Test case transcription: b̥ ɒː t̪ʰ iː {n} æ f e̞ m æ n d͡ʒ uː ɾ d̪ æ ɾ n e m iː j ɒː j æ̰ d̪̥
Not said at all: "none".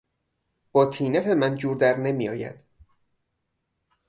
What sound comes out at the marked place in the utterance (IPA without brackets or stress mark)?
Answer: n